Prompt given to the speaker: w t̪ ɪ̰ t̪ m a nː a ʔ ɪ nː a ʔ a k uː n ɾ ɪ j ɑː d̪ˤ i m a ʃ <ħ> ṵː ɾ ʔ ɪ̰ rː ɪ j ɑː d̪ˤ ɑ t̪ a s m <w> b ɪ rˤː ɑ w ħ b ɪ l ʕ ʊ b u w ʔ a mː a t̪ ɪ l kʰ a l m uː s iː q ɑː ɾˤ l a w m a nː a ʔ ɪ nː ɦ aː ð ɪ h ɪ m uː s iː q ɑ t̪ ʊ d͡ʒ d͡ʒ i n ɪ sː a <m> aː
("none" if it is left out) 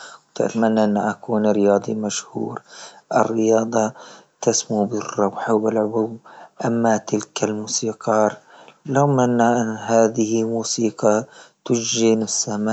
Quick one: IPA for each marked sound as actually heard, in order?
h, u, m

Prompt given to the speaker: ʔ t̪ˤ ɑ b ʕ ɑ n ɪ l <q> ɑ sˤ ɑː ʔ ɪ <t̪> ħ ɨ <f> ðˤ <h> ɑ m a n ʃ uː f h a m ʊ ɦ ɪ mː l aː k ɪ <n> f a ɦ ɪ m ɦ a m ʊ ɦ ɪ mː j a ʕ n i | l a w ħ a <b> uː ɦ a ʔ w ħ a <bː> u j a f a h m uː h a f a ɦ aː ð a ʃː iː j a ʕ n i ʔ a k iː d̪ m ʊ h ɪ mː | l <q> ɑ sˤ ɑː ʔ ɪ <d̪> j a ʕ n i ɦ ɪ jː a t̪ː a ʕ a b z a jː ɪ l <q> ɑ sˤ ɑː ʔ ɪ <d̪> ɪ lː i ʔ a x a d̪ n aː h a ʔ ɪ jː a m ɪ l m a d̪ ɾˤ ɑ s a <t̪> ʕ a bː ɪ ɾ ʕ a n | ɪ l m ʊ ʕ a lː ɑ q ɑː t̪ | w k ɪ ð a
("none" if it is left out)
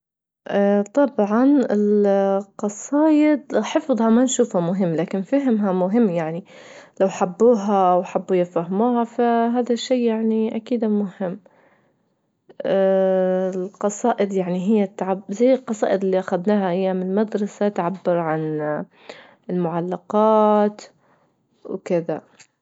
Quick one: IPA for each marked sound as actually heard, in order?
q, d̪, f, h, n, bː, bː, q, d̪, q, d̪, t̪

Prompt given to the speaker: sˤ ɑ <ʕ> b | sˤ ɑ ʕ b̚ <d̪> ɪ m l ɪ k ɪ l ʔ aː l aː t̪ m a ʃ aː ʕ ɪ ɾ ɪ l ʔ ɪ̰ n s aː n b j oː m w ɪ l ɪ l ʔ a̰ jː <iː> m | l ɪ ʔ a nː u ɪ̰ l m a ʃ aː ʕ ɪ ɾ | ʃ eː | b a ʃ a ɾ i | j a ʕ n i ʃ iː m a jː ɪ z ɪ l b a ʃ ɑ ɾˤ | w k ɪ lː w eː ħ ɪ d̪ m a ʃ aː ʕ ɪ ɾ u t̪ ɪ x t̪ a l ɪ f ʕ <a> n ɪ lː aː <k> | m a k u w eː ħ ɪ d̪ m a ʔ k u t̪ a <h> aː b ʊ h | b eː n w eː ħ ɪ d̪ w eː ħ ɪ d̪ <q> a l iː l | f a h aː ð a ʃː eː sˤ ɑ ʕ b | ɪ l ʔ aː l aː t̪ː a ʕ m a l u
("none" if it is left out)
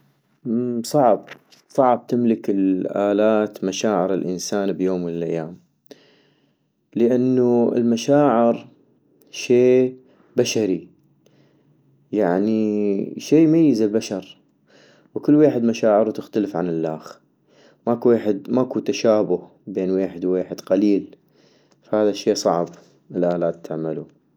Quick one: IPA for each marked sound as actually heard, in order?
ʕ, t̪, aː, a, x, ʃ, q

